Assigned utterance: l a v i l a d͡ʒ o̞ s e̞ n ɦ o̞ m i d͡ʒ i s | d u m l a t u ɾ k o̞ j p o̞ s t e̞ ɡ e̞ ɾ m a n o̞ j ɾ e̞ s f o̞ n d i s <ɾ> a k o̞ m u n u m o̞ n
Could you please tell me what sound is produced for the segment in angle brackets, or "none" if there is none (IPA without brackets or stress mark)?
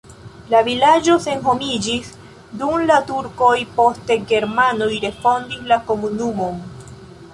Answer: l